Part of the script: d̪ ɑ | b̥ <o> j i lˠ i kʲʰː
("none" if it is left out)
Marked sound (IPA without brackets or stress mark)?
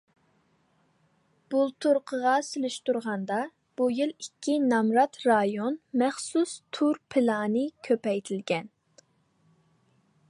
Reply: u